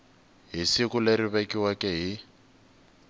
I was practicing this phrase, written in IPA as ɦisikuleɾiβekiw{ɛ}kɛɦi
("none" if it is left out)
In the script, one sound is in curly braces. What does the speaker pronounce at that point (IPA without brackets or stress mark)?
a